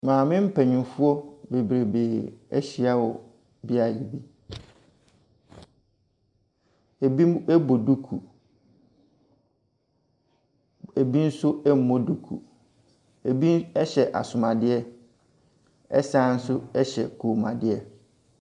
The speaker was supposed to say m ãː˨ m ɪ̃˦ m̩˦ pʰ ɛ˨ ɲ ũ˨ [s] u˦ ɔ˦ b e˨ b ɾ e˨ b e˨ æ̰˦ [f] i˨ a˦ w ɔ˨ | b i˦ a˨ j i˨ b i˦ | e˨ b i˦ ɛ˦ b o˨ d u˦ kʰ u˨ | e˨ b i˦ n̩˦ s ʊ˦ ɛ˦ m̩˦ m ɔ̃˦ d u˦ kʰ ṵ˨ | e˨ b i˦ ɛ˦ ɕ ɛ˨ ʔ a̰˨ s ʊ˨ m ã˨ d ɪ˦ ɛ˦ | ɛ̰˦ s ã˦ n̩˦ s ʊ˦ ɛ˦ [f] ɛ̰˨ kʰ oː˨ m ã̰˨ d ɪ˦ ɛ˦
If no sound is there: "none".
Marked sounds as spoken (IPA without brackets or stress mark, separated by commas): f, ɕ, ɕ